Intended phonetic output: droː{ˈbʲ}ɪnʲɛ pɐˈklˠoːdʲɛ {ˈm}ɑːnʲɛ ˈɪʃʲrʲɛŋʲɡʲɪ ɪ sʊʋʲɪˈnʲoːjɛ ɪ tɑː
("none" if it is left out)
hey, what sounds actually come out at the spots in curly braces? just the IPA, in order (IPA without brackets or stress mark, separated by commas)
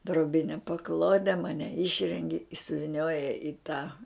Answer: bʲ, m